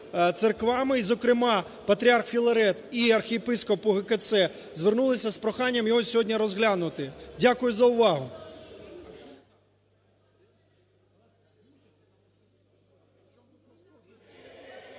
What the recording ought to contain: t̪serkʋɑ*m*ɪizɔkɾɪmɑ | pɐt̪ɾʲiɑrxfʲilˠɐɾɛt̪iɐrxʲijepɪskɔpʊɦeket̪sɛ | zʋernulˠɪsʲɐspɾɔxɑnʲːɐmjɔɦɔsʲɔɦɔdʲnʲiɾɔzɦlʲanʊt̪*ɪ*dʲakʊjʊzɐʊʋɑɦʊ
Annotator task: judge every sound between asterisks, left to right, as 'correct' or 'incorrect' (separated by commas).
correct, correct